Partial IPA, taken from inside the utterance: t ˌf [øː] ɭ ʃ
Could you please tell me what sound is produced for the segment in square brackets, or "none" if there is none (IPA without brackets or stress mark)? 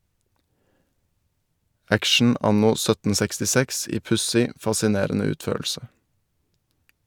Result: øː